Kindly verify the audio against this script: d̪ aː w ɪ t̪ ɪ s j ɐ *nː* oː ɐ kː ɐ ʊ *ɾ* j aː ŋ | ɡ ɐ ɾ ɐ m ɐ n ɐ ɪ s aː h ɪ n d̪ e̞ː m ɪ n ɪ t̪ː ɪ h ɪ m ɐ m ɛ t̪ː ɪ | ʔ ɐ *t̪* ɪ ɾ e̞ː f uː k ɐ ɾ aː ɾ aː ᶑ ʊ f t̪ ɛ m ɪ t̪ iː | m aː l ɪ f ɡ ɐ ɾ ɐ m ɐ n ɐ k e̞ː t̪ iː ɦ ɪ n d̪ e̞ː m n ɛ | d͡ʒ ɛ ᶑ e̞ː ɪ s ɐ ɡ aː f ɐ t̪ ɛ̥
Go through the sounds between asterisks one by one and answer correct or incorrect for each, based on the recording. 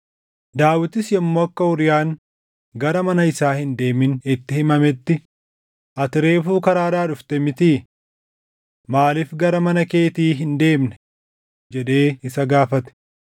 incorrect, correct, correct

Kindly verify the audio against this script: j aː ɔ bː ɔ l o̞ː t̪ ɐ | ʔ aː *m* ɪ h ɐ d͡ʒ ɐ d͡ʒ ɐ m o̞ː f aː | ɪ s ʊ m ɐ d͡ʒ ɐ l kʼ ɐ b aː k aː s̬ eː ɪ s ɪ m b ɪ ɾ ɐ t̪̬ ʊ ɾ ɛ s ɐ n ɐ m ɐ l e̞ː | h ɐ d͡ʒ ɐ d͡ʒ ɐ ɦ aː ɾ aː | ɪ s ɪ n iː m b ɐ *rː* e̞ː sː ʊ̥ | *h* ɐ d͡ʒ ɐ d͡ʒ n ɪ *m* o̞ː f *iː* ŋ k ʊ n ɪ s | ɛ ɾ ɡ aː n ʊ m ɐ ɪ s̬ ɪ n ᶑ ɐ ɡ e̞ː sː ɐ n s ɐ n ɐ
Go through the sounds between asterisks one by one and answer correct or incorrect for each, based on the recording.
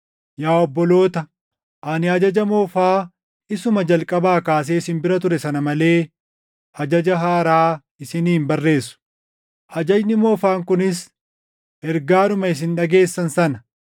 incorrect, correct, correct, correct, incorrect

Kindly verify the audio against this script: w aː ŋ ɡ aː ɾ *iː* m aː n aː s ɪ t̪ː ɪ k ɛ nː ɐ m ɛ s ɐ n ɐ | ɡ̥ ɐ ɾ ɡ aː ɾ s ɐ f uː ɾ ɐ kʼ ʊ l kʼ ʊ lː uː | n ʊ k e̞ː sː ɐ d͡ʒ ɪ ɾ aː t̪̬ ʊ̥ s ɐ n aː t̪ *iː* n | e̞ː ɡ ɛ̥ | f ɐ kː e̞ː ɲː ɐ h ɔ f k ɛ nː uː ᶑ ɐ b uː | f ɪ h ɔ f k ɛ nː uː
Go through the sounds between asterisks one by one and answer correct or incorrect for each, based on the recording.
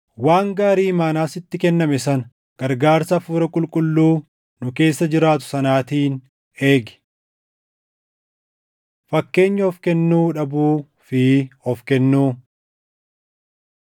correct, correct

